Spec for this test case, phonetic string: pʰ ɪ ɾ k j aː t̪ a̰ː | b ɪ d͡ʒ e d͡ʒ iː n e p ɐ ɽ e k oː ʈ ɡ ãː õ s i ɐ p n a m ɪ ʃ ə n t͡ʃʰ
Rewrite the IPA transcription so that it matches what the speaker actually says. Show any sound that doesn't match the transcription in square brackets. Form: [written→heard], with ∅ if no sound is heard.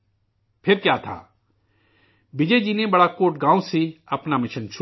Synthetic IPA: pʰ ɪ ɾ k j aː [t̪→t̪ʰ] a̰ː | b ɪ d͡ʒ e d͡ʒ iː n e [p→b] ɐ ɽ [e→a] k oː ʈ ɡ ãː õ s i ɐ p n a m ɪ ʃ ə n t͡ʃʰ